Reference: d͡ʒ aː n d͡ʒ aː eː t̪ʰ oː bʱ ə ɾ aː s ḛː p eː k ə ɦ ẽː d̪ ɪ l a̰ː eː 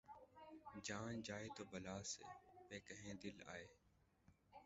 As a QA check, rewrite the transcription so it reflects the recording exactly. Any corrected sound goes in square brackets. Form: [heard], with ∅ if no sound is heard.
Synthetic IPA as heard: d͡ʒ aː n d͡ʒ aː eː [t̪] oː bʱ ə [l] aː s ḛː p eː k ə ɦ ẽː d̪ ɪ l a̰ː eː